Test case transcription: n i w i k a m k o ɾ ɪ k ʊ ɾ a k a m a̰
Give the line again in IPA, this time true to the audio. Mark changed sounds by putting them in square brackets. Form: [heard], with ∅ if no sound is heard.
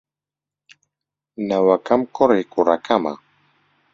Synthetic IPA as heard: n [a] w [a] k a m k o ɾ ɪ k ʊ ɾ a k a m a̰